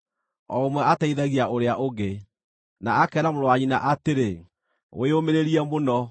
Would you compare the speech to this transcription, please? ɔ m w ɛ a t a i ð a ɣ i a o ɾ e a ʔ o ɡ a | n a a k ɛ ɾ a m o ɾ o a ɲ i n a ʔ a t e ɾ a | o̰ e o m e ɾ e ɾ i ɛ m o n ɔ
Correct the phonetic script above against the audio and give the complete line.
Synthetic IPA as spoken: ɔ m w ɛ a t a i ð a ɣ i a o ɾ e a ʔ o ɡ e | n a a k ɛ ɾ a m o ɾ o a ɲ i n a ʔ a t e ɾ e | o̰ e o m e ɾ e ɾ i ɛ m o n ɔ